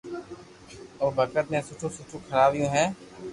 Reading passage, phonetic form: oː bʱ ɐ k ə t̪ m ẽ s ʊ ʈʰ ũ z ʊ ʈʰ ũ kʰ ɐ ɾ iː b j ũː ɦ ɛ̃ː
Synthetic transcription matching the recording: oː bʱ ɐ k ə t̪ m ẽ s ʊ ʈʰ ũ s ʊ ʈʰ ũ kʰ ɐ ɾ aː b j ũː ɦ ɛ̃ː